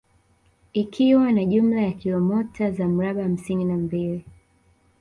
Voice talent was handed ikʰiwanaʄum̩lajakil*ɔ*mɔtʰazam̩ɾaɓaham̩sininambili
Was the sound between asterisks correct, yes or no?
yes